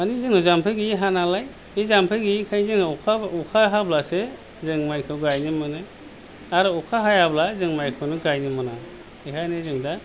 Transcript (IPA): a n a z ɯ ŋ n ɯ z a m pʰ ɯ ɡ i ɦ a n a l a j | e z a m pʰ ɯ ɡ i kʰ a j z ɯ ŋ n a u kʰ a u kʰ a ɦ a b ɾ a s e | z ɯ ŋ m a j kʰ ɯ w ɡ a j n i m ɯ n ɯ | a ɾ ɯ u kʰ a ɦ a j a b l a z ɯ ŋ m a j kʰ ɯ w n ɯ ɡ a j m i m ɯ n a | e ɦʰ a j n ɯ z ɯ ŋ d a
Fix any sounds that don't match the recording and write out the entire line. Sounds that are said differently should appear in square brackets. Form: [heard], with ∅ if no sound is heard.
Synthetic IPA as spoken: a n [i] z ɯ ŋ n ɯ z a m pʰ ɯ ɡ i ɦ a n a l a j | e z a m pʰ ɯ ɡ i kʰ a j z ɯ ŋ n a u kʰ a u kʰ a ɦ a b [l] a s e | z ɯ ŋ m a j kʰ ɯ w ɡ a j n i m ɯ n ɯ | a ɾ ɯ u kʰ a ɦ a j a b l a z ɯ ŋ m a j kʰ ɯ w n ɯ ɡ a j [n] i m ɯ n a | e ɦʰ a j n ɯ z ɯ ŋ d a